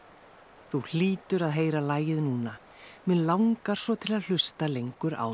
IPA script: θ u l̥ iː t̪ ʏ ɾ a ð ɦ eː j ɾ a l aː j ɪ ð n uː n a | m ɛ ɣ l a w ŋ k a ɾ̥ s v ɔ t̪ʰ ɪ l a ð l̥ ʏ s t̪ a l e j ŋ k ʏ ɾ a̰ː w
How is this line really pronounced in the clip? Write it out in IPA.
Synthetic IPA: θ u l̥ iː t̪ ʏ ɾ a ð ɦ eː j ɾ a l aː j ɪ ð n uː n a | m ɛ ð l a w ŋ k a ɾ̥ s v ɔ t̪ʰ ɪ l a ð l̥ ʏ s t̪ a l e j ŋ k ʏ ɾ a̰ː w